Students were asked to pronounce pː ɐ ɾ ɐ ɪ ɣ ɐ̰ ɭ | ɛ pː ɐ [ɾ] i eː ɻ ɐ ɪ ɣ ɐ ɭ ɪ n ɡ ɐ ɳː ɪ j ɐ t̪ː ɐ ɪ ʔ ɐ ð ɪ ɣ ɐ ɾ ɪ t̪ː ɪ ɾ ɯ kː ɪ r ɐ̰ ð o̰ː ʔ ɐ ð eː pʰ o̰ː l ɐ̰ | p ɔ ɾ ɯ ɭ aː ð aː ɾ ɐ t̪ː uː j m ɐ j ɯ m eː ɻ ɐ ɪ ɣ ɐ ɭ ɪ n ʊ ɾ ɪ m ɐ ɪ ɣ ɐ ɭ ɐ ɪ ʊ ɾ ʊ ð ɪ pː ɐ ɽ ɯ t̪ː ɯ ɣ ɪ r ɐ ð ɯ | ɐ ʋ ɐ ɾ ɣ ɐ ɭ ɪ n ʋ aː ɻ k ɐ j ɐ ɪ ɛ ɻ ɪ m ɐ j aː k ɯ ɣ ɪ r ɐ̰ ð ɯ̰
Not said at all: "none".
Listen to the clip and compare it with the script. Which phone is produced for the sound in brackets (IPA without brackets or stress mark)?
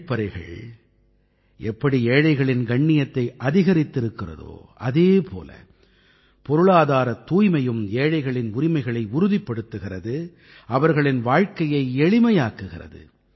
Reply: ɽ